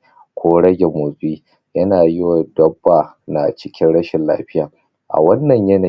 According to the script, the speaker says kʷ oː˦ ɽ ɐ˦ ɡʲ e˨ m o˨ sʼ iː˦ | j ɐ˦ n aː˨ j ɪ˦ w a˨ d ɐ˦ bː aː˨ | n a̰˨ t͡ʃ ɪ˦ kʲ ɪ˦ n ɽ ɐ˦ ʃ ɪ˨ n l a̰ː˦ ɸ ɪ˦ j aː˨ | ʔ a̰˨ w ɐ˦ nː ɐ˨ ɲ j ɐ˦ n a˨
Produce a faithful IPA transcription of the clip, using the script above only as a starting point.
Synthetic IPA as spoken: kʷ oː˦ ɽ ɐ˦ ɡʲ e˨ m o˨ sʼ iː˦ | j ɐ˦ n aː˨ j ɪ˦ w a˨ d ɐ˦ bː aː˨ | n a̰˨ t͡ʃ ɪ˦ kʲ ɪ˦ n ɽ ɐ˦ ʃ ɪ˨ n l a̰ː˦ ɸ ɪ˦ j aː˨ | ʔ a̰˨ w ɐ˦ nː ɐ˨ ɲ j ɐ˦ n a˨